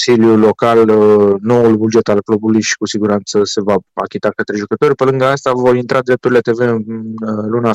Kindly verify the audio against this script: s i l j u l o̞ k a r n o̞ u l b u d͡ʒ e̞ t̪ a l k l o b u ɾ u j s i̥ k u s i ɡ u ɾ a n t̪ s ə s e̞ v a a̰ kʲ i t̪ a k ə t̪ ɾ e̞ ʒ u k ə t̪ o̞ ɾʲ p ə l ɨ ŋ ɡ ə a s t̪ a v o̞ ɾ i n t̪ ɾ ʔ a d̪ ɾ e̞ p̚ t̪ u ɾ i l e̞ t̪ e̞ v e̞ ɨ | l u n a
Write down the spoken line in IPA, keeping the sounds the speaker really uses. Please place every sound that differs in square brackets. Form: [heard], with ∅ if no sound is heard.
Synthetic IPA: s i l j u l o̞ k a [l] n o̞ u l b u d͡ʒ e̞ t̪ a l k l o b u [l] u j [ʃ] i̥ k u s i ɡ u ɾ a n t̪ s ə s e̞ v a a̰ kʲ i t̪ a k ə t̪ ɾ e̞ ʒ u k ə t̪ o̞ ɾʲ p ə l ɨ ŋ ɡ ə a s t̪ a v o̞ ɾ i n t̪ ɾ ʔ a d̪ ɾ e̞ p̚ t̪ u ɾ i l e̞ t̪ e̞ v e̞ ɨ | l u n a